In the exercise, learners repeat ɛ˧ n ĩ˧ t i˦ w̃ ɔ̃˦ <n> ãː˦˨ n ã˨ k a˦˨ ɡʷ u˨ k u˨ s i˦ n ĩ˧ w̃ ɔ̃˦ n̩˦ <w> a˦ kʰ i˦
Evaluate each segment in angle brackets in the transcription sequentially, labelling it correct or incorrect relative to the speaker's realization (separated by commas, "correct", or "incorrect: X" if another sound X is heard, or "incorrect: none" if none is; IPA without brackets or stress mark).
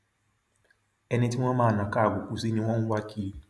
incorrect: m, correct